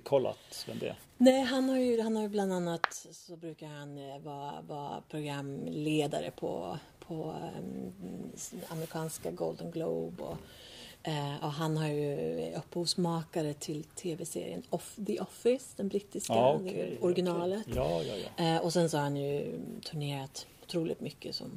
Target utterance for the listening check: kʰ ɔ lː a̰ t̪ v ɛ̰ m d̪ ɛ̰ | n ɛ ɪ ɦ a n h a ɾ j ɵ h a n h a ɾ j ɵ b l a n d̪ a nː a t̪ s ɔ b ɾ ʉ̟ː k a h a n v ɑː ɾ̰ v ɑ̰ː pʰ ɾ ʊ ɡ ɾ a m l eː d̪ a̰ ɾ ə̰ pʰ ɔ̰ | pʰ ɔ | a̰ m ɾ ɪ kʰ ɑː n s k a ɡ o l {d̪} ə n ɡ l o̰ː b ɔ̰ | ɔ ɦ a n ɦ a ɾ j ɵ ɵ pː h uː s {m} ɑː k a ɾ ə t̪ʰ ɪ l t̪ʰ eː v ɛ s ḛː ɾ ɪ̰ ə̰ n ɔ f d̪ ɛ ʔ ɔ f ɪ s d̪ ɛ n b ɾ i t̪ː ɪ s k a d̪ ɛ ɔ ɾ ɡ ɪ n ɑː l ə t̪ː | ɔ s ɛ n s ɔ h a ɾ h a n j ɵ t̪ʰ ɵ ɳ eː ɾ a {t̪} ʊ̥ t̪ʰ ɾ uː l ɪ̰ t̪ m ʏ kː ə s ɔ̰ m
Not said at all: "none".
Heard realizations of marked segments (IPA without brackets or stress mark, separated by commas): d̪, m, t̪